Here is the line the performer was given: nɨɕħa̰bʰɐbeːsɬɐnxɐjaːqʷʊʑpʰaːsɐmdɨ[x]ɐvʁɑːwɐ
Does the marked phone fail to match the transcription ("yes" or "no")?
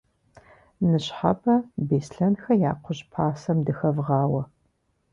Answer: no